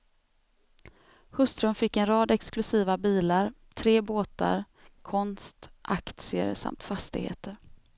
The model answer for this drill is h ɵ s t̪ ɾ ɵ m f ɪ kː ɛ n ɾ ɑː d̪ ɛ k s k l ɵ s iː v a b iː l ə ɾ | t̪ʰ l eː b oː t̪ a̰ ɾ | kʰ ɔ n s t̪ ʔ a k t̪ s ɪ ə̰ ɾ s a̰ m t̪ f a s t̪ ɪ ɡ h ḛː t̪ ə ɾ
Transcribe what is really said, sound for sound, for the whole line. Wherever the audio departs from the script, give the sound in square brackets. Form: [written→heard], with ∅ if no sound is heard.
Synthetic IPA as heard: h ɵ s t̪ ɾ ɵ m f ɪ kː ɛ n ɾ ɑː d̪ ɛ k s k l ɵ s iː v a b iː l [ə→a] ɾ | t̪ʰ [l→ɾ] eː b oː t̪ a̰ ɾ | kʰ ɔ n s t̪ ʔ a k t̪ s ɪ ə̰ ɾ s a̰ m t̪ f a s t̪ ɪ ɡ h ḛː t̪ ə ɾ